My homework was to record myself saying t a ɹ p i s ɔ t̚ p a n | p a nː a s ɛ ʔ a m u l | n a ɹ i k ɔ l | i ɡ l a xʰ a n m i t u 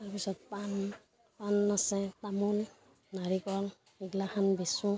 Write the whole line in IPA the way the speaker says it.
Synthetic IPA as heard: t a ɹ p i s ɔ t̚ p a n | p a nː a s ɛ t a m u l | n a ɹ i k ɔ l | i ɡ l a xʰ a n b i s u